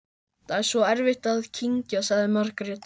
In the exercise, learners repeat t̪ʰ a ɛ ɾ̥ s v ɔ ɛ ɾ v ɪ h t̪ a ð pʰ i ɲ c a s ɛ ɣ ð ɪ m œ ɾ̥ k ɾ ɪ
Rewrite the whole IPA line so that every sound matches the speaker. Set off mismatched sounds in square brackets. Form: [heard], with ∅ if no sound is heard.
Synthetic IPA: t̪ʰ a ɛ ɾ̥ s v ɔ ɛ ɾ v ɪ h t̪ a ð [cʰ] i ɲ c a s [a] ɣ ð ɪ m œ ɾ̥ k ɾ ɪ